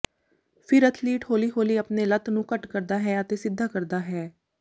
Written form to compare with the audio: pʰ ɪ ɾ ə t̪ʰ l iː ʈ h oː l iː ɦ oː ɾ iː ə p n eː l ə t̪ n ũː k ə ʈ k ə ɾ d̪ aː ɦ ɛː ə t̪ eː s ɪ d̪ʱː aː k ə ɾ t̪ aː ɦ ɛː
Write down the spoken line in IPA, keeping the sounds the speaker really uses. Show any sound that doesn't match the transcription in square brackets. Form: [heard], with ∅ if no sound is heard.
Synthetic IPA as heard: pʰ ɪ ɾ ə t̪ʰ l iː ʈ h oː l iː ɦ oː [l] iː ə p n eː l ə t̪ n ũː k ə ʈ k ə ɾ d̪ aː ɦ ɛː ə t̪ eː s ɪ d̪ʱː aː k ə ɾ [d̪] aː ɦ ɛː